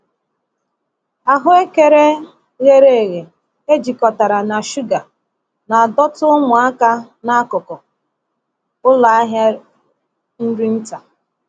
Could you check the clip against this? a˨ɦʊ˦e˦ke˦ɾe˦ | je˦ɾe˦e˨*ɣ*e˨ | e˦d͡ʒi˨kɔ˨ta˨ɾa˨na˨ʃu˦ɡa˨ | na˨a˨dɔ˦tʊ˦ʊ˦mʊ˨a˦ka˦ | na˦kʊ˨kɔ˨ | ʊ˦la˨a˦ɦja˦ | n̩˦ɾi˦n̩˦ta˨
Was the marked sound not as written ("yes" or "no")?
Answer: no